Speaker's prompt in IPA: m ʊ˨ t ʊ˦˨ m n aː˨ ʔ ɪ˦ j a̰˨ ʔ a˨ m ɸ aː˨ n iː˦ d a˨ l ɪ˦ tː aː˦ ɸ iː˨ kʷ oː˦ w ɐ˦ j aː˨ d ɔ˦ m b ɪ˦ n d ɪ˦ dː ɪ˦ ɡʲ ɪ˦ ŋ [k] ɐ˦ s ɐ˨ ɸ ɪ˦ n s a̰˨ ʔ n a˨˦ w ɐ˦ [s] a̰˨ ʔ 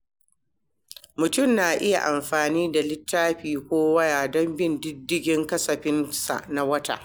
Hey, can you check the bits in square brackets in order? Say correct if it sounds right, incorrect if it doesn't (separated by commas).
correct, incorrect